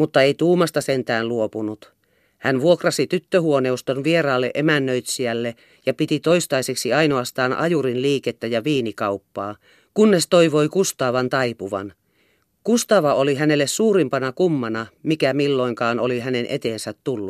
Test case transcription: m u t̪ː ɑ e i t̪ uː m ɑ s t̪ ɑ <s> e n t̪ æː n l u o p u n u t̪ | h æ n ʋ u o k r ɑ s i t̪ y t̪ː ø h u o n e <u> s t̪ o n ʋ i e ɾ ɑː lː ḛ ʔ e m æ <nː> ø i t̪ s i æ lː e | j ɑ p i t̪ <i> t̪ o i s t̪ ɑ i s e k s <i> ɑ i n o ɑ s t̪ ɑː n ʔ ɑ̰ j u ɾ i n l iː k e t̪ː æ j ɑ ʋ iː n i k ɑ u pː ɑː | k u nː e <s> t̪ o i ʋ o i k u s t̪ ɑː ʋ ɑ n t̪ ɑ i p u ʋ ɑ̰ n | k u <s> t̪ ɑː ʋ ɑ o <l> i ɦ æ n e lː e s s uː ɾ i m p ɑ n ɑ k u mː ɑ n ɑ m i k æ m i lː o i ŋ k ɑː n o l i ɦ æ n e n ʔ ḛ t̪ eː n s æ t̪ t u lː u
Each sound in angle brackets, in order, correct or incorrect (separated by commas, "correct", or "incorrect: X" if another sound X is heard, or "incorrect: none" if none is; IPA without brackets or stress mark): correct, correct, correct, correct, correct, correct, correct, correct